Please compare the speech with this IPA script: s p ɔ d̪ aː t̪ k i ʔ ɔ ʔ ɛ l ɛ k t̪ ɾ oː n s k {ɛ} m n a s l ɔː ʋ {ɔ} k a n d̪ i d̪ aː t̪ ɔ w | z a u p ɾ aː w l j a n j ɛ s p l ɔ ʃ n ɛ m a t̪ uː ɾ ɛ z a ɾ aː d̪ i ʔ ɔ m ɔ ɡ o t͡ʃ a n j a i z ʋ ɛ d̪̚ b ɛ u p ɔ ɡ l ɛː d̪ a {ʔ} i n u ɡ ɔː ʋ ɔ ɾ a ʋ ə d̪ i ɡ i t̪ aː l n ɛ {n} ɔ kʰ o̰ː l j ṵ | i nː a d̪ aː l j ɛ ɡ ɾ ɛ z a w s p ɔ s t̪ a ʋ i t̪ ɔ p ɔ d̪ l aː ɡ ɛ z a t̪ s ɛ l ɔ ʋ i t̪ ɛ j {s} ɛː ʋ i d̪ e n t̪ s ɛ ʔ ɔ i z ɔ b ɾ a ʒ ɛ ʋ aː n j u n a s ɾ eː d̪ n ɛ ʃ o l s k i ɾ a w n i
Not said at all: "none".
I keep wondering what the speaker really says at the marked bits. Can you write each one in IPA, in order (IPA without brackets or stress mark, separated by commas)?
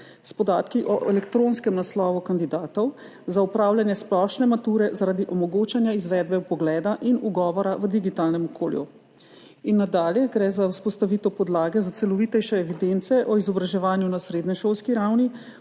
ɛ, u, ʔ, m, ʃ